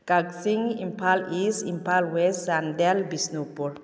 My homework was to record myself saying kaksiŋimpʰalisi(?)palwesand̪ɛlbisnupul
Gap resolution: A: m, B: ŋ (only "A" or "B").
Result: A